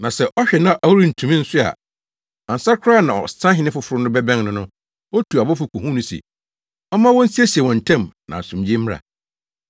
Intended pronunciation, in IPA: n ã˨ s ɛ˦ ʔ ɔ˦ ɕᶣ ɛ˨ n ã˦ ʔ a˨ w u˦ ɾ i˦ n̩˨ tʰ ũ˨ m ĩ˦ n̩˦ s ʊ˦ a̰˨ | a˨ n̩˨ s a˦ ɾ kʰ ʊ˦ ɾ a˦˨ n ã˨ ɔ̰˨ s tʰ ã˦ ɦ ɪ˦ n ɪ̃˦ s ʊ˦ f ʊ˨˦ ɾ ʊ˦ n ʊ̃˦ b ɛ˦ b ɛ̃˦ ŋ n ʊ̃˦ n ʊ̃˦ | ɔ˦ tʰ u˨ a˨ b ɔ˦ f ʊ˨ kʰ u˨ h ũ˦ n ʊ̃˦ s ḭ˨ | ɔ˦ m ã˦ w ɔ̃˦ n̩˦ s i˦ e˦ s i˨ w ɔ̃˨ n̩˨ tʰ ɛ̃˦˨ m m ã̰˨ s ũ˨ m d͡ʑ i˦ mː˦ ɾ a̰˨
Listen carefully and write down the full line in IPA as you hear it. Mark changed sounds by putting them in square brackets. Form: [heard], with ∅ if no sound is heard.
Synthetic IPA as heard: n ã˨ s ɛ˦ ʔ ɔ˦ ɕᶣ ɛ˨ n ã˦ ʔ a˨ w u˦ ɾ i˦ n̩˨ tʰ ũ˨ m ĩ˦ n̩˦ s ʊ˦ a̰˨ | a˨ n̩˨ s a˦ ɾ kʰ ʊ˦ ɾ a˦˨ n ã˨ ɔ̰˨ s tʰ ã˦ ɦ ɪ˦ n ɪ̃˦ [f] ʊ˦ f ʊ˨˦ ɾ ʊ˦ n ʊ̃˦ b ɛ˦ b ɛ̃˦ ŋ n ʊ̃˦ n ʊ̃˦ | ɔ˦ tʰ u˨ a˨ b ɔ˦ f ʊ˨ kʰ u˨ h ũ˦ n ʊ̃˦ s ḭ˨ | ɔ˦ m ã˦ w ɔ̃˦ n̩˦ s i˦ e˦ s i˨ w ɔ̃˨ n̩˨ tʰ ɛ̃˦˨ m [n] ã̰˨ s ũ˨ m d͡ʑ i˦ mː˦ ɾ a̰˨